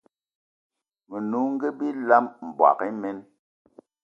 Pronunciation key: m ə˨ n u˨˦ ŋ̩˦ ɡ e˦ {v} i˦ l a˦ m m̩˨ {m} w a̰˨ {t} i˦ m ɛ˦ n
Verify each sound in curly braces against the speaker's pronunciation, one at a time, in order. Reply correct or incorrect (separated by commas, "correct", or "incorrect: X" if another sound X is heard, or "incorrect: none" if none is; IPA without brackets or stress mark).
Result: incorrect: b, incorrect: b, incorrect: k